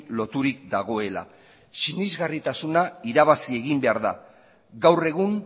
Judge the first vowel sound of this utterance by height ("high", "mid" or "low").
mid